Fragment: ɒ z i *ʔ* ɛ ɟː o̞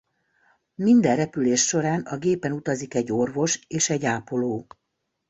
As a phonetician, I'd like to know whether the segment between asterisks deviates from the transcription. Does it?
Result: yes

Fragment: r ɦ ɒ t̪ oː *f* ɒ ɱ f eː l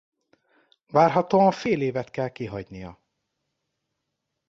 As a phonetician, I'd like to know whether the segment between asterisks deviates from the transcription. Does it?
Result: yes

